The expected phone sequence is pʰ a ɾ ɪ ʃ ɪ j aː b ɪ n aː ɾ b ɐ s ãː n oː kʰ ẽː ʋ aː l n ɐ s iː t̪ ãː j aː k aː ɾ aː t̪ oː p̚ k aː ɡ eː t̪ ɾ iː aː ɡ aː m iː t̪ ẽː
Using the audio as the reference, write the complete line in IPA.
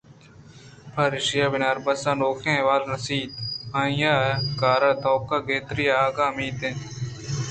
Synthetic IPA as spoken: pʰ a ɾ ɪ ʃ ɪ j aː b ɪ n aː ɾ b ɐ s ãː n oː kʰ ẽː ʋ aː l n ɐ s iː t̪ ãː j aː k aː ɾ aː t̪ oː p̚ k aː ɡ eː t̪ ɾ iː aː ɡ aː m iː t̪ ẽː